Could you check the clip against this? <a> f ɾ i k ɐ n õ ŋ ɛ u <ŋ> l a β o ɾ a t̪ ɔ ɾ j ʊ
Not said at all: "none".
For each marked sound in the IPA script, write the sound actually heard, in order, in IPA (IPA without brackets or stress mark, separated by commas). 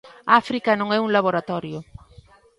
a, ŋ